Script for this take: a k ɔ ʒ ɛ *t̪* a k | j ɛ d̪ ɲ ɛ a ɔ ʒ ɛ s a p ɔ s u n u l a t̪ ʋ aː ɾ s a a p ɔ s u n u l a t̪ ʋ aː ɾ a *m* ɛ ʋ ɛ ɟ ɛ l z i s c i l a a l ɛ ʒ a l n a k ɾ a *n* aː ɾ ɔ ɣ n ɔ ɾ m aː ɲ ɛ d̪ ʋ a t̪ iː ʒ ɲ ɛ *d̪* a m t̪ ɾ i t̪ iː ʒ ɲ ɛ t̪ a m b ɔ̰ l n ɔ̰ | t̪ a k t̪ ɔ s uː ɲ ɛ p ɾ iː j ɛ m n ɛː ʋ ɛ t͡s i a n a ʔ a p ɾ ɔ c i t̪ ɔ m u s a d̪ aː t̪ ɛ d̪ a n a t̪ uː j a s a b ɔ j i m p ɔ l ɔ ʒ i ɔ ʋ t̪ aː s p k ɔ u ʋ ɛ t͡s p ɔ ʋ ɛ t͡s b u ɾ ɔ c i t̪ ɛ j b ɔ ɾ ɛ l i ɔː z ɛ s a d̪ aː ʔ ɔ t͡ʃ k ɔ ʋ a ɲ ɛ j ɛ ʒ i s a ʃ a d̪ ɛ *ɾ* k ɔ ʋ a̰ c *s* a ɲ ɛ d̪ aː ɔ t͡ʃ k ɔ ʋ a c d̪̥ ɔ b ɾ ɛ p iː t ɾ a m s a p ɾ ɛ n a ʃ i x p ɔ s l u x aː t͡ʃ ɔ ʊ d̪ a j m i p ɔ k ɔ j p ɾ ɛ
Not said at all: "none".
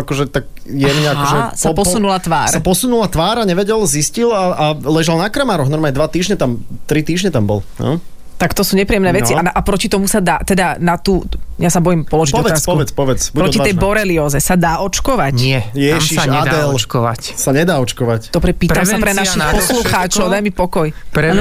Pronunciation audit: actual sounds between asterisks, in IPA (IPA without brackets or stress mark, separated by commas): t̪, ɲ, m, t̪, l, s